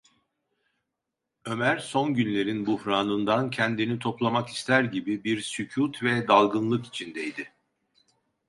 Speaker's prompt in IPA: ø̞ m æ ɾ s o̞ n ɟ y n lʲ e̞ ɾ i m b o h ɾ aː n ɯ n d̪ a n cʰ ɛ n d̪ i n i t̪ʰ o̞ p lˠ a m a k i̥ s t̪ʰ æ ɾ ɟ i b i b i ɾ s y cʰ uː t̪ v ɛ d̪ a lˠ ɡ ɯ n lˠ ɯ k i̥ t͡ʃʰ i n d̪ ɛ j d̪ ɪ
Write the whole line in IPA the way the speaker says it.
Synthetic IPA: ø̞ m æ ɾ s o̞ n ɟ y n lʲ e̞ ɾ i n b u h ɾ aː n ɯ n d̪ a n cʰ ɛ n d̪ i n i t̪ʰ o̞ p lˠ a m a k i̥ s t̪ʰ æ ɾ ɟ i b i b i ɾ s y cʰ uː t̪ v ɛ d̪ a lˠ ɡ ɯ n lˠ ɯ k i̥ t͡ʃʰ i n d̪ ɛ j d̪ ɪ